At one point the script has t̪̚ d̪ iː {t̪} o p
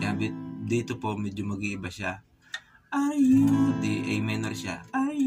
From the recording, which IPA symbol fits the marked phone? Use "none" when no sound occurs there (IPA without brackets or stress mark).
t̪